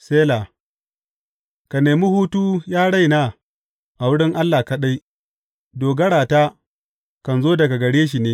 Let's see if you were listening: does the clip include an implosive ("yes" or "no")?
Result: yes